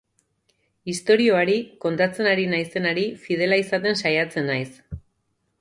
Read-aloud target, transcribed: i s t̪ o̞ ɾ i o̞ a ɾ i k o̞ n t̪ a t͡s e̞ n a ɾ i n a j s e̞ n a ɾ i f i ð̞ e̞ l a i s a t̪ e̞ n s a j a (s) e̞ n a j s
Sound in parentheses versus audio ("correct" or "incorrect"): incorrect